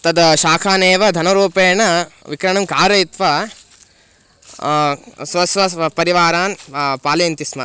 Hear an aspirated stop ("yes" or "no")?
yes